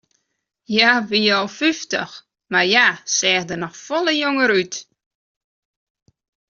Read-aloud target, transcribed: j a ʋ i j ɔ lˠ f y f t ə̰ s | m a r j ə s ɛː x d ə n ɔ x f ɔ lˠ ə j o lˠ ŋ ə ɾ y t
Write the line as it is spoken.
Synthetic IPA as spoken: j a ʋ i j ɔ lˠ f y f t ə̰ x | m a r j a s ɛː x d ə n ɔ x f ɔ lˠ ə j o ŋ ə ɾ y t